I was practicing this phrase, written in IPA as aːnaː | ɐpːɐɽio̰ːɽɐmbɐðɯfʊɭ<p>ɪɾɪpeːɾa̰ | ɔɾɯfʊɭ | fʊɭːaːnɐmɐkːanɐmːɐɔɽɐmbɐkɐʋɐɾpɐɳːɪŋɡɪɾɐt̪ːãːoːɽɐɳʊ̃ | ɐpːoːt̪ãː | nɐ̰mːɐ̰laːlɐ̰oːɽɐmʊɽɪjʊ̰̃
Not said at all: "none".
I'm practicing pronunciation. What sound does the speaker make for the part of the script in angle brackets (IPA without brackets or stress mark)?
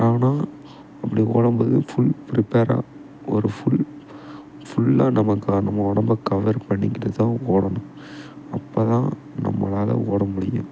p